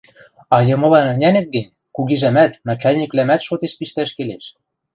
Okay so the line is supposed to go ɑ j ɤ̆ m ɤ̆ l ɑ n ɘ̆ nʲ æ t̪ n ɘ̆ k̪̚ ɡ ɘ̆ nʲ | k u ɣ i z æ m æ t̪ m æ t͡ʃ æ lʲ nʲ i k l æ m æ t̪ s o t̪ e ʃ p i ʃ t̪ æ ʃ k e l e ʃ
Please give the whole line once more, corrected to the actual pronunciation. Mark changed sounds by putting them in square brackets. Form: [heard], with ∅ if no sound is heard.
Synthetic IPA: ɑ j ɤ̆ m ɤ̆ l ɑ n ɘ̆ nʲ æ [∅] n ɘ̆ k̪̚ ɡ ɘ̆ nʲ | k u ɣ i [ʒ] æ m æ t̪ m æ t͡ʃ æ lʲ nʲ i k l æ m æ t̪ [ʃ] o t̪ e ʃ p i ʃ t̪ æ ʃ k e l e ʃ

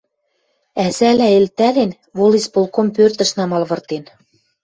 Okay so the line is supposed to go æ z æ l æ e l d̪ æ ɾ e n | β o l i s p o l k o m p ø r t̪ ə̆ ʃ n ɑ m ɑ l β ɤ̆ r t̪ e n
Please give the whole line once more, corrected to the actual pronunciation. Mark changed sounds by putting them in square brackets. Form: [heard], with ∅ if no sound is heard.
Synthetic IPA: æ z æ l æ e l [t̪] æ [l] e n | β o l i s p o l k o m p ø r t̪ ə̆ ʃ n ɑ m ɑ l β ɤ̆ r t̪ e n

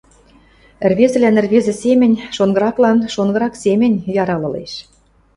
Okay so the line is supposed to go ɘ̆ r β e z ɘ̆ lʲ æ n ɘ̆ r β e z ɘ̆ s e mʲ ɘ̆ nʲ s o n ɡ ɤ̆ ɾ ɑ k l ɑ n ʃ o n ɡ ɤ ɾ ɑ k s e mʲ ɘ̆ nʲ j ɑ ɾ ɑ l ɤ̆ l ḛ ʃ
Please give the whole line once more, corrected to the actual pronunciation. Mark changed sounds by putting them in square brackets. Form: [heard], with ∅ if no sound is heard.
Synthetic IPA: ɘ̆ r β e z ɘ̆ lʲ æ n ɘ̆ r β e z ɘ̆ s e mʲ ɘ̆ nʲ [ʃ] o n ɡ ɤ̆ ɾ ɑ k l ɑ n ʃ o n ɡ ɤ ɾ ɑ k s e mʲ ɘ̆ nʲ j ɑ ɾ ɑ l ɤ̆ l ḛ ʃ

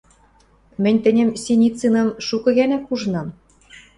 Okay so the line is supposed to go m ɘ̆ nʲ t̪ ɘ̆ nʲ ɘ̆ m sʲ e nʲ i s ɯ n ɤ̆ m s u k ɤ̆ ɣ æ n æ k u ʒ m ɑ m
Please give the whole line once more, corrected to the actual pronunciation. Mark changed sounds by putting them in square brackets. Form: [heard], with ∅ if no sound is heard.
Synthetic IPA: m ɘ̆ nʲ t̪ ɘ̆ nʲ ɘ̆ m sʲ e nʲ i [t͡s] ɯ n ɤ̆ m [ʃ] u k ɤ̆ ɣ æ n æ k u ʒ [n] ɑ m

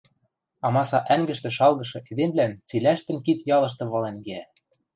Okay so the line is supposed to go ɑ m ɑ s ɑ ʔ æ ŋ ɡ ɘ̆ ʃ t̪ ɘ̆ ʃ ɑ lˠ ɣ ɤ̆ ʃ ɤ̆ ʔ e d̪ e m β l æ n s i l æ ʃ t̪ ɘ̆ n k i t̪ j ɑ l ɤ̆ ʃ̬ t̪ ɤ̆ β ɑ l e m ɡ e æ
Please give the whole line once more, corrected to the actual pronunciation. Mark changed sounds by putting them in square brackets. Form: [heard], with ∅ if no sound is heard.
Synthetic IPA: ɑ m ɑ s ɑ ʔ æ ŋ ɡ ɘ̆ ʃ t̪ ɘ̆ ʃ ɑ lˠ ɣ ɤ̆ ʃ ɤ̆ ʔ e d̪ e m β l æ n [t͡s] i l æ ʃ t̪ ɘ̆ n k i t̪ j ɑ l ɤ̆ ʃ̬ t̪ ɤ̆ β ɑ l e [n] ɡ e æ

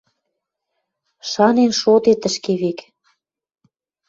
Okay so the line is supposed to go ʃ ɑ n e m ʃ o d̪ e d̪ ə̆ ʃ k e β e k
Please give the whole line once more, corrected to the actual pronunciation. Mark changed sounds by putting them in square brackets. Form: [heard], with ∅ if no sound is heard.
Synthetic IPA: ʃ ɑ n e [n] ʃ o [t̪] e [t̪] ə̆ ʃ k e β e k

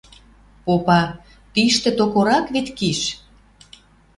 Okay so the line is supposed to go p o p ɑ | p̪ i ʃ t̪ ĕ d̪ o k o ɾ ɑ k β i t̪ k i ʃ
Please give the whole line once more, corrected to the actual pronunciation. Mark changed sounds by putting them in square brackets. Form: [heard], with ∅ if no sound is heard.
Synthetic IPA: p o p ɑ | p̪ i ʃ t̪ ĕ [t̪] o k o ɾ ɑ k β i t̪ k i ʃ

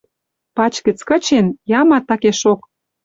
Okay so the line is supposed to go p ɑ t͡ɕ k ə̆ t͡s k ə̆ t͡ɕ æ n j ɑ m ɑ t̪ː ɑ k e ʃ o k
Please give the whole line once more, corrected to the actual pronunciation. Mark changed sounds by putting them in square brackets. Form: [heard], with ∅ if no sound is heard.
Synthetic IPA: p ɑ t͡ɕ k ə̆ t͡s k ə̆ t͡ɕ [e] n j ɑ m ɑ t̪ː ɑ k e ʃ o k

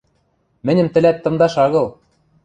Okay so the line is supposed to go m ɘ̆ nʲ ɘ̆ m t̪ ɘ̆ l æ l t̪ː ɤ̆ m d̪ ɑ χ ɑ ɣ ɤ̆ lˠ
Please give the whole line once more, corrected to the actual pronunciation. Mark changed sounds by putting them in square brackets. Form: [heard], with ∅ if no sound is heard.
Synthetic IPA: m ɘ̆ nʲ ɘ̆ m t̪ ɘ̆ l æ [∅] t̪ː ɤ̆ m d̪ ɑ [ʃ] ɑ ɣ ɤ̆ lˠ

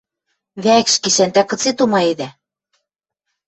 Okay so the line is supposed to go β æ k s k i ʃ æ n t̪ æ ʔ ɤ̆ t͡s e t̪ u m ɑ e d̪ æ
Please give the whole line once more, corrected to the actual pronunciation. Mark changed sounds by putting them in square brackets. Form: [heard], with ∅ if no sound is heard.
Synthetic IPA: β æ k [ʃ] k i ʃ æ n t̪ æ [k] ɤ̆ t͡s e t̪ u m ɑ e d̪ æ

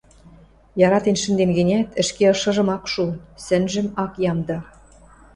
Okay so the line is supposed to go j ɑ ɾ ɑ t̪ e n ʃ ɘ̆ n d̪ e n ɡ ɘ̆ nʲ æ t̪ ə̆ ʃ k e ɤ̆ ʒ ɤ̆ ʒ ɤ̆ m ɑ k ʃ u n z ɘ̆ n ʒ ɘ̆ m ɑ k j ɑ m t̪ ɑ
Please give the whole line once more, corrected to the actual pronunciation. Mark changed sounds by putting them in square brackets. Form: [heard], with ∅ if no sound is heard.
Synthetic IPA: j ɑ ɾ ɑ t̪ e n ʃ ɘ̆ n d̪ e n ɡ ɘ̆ nʲ æ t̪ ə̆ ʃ k e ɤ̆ [ʃ] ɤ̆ ʒ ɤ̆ m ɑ k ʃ u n [s] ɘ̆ n ʒ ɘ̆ m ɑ k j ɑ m [d̪] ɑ

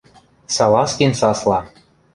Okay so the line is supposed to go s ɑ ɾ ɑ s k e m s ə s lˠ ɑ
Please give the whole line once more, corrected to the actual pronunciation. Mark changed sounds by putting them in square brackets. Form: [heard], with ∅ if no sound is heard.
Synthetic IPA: s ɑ [l] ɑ s k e [n] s [ɑ] s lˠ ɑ

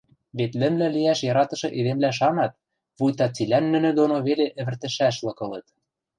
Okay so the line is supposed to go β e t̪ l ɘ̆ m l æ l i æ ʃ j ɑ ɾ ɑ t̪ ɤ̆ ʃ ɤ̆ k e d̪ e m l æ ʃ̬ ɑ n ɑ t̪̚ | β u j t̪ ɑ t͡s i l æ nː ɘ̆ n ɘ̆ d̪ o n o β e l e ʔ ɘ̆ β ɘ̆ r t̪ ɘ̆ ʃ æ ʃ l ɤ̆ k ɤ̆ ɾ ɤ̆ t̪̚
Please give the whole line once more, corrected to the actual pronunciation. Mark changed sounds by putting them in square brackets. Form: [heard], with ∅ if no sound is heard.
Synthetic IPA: β e t̪ l ɘ̆ m l æ l i æ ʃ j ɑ ɾ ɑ t̪ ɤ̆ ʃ ɤ̆ [ʔ] e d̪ e m l æ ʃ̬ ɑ n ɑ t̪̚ | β u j t̪ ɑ t͡s i l æ nː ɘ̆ n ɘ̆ d̪ o n o β e l e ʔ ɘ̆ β ɘ̆ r t̪ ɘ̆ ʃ æ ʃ l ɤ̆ k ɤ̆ [l] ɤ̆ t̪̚

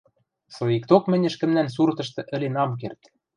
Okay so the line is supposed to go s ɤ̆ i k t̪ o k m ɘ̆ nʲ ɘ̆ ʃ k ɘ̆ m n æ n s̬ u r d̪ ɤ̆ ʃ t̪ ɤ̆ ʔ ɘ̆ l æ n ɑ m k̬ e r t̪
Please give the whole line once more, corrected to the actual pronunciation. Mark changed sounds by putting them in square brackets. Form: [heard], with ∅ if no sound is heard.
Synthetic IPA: s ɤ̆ i k t̪ o k m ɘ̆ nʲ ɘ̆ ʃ k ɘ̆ m n æ n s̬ u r [t̪] ɤ̆ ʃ t̪ ɤ̆ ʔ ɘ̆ l [e] n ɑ m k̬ e r t̪

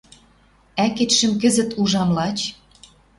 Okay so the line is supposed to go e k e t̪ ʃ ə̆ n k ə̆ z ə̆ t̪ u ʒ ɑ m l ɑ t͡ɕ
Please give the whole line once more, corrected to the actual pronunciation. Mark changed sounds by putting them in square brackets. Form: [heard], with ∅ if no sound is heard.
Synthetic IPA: [æ] k e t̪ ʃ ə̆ [m] k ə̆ z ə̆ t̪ u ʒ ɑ m l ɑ t͡ɕ

